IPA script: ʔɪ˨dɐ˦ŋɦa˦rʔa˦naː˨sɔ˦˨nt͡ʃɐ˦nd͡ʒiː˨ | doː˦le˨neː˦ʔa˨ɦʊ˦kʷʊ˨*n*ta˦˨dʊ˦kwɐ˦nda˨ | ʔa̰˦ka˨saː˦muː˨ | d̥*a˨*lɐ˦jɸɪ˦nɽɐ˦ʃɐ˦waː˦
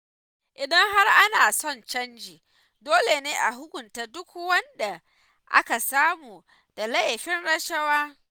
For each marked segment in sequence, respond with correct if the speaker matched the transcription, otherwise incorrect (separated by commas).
correct, correct